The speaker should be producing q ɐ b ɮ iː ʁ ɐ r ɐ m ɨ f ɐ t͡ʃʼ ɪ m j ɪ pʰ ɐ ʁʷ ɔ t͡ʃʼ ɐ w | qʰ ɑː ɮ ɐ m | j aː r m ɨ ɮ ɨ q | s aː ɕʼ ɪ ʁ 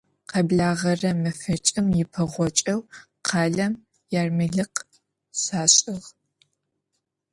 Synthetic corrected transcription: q ɐ b ɮ aː ʁ ɐ r ɐ m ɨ f ɐ t͡ʃʼ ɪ m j ɪ pʰ ɐ ʁʷ ɔ t͡ʃʼ ɐ w | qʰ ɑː ɮ ɐ m | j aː r m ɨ ɮ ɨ q | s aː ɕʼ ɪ ʁ